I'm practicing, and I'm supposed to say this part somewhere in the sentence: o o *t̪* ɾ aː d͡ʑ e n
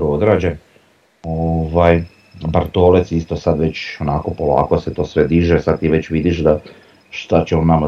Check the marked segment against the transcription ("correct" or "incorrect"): incorrect